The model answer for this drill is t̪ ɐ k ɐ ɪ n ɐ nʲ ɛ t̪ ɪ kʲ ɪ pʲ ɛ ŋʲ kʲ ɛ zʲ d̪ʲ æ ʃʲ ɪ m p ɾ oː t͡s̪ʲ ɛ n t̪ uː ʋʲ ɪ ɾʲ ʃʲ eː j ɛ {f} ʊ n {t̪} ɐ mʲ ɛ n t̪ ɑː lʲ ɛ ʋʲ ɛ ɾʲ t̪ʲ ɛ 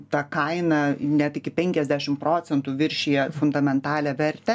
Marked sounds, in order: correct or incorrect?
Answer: correct, incorrect: d̪

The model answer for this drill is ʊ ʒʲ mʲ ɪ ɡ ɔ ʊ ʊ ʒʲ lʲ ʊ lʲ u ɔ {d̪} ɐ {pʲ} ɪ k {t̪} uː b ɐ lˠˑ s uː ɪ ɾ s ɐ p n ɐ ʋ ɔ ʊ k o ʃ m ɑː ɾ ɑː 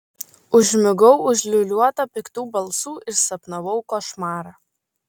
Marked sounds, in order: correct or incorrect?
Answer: incorrect: t̪, correct, correct

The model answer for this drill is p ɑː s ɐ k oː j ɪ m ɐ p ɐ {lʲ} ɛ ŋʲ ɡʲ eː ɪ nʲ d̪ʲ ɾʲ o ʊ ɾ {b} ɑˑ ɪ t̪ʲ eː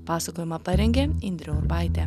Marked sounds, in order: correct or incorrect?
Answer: incorrect: ɾʲ, correct

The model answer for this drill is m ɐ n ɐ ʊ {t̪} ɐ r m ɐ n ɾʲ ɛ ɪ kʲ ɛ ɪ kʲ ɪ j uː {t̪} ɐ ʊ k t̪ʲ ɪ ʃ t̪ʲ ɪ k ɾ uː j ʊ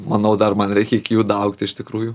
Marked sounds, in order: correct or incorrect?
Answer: incorrect: d̪, incorrect: d̪

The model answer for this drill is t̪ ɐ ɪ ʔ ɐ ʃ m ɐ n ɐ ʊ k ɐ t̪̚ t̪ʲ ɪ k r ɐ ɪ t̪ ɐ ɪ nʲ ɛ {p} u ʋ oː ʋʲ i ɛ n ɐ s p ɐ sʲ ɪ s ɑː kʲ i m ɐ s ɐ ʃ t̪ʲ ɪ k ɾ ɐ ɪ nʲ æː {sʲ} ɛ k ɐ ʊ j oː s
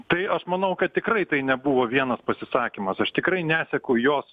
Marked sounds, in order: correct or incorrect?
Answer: incorrect: b, correct

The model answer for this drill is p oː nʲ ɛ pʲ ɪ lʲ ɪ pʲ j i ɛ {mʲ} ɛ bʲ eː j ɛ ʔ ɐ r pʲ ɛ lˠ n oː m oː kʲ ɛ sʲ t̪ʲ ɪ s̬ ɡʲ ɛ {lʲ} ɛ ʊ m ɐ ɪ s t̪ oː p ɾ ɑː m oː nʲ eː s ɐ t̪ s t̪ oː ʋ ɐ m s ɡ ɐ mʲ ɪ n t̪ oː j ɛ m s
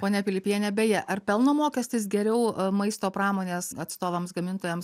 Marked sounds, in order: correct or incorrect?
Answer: incorrect: nʲ, incorrect: ɾʲ

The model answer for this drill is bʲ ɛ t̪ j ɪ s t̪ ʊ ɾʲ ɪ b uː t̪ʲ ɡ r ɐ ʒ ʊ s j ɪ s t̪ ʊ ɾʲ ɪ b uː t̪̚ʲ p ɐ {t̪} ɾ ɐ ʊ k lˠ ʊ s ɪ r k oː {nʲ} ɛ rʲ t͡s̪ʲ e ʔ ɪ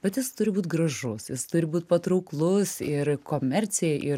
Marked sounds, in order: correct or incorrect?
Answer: correct, incorrect: mʲ

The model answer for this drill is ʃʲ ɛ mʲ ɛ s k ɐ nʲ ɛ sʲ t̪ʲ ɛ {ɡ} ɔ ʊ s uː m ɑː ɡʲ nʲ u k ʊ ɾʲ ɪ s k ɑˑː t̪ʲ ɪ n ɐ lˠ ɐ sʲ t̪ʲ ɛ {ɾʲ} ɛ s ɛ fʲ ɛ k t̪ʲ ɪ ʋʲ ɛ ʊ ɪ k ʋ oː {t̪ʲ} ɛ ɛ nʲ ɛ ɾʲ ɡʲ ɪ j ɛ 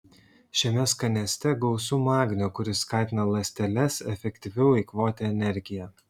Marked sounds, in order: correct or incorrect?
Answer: correct, incorrect: lʲ, correct

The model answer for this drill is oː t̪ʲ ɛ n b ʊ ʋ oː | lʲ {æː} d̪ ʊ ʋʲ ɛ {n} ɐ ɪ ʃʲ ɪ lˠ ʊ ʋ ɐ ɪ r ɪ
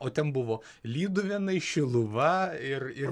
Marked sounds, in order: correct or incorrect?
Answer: incorrect: iː, correct

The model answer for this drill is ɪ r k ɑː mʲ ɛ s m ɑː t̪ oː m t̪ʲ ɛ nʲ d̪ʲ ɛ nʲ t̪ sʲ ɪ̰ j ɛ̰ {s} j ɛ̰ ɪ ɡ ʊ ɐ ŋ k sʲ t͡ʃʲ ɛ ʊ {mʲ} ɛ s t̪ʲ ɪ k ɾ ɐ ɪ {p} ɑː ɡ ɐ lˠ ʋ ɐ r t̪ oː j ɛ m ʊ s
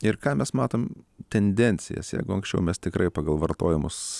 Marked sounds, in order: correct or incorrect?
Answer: correct, correct, correct

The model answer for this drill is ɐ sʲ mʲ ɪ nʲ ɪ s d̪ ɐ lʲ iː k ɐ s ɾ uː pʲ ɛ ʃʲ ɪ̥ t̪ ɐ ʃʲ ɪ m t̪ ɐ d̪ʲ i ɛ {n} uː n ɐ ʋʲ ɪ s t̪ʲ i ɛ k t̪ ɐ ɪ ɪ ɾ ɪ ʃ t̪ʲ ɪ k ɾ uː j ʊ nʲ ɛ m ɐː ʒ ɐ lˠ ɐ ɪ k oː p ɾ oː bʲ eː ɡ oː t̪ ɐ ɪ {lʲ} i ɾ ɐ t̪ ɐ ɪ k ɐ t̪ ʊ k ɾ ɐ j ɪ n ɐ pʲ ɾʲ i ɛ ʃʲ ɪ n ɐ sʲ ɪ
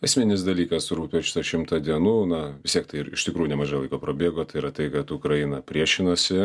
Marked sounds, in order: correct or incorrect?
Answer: correct, incorrect: none

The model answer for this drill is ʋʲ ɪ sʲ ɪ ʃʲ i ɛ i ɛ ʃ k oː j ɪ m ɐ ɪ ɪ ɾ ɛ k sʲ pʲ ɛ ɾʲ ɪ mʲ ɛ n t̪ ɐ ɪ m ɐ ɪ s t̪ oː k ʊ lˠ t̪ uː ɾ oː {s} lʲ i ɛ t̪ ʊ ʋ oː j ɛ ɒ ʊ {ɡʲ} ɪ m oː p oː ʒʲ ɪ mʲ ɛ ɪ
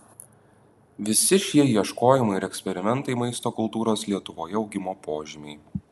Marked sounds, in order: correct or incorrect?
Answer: correct, correct

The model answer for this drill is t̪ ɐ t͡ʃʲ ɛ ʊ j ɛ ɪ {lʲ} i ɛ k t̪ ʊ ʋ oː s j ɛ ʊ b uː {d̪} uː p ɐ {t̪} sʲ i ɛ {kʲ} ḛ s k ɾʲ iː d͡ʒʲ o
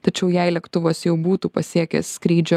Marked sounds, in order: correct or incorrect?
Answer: correct, incorrect: t̪, incorrect: none, correct

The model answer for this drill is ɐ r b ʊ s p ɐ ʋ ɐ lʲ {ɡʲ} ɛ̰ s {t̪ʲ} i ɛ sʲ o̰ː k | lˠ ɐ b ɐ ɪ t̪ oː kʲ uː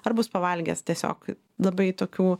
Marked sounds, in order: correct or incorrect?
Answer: correct, correct

